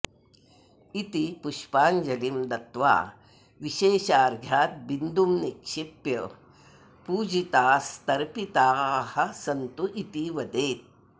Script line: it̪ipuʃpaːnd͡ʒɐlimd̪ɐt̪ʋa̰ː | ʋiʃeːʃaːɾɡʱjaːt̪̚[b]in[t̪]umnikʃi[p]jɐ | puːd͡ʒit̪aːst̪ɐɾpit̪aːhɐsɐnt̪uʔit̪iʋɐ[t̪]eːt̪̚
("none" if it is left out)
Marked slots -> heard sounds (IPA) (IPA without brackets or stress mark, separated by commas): b, d̪, p, d̪